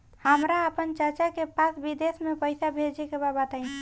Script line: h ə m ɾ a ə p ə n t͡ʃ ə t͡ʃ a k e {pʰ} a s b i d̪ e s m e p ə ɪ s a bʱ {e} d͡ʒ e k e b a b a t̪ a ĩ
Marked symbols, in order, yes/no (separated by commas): no, yes